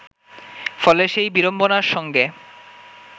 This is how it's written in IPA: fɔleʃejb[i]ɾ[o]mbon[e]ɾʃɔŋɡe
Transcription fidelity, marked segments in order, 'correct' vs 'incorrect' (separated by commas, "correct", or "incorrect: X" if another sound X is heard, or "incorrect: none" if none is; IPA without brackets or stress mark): correct, correct, incorrect: a